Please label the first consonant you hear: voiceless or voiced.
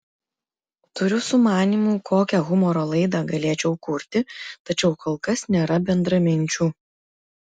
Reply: voiceless